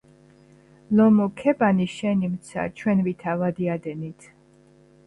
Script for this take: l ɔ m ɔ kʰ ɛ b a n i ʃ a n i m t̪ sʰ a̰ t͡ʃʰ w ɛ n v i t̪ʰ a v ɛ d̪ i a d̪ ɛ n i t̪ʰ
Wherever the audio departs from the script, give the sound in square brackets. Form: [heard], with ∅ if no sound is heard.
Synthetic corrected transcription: l ɔ m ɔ kʰ ɛ b a n i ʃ [ɛ] n i m t̪ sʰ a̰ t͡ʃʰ w ɛ n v i t̪ʰ a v [a] d̪ i a d̪ ɛ n i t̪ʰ